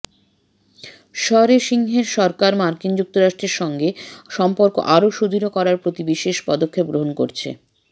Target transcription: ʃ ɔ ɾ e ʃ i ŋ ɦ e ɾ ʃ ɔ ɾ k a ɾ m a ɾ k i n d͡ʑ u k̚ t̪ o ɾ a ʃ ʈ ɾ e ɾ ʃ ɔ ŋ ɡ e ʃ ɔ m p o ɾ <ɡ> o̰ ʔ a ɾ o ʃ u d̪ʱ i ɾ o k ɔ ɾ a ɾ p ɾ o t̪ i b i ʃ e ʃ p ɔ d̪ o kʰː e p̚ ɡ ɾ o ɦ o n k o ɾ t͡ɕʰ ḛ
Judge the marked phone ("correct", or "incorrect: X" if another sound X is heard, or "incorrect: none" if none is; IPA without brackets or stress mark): incorrect: k